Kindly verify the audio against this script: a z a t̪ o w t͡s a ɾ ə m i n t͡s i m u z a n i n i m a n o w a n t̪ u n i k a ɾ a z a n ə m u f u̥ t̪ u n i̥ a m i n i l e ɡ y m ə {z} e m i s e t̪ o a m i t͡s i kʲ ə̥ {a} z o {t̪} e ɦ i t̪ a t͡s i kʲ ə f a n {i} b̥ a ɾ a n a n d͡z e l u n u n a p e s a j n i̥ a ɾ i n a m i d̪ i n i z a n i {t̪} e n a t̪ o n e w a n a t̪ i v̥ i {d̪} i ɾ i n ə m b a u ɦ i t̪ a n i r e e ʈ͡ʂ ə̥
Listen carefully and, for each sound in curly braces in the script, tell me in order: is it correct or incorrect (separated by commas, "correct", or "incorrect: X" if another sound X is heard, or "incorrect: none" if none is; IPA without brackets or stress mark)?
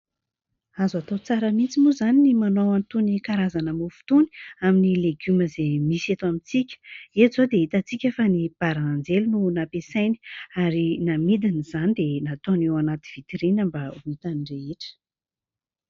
correct, incorrect: e, incorrect: d̪, correct, incorrect: d̪, incorrect: t̪